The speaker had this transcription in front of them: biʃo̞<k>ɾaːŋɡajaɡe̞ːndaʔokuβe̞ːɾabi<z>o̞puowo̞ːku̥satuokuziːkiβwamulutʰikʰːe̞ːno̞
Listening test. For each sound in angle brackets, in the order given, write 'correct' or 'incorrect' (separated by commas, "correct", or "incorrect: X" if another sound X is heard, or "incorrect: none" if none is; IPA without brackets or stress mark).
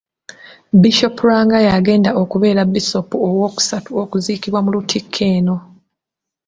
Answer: incorrect: p, incorrect: s